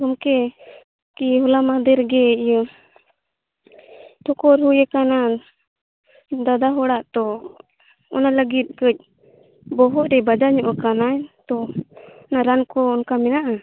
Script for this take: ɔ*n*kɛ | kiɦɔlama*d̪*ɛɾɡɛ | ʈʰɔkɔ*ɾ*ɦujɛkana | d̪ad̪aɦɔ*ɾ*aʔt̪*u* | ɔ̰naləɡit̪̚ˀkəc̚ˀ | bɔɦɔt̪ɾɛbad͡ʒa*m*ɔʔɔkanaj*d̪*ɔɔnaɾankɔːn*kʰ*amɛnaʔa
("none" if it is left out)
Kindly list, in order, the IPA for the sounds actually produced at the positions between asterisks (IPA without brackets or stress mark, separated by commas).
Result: m, d̪, ɾ, ɽ, ɔ, ɲ, t̪, k